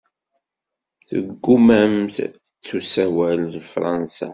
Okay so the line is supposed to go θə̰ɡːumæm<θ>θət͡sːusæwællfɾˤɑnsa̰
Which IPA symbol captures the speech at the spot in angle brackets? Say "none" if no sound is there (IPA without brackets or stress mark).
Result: θ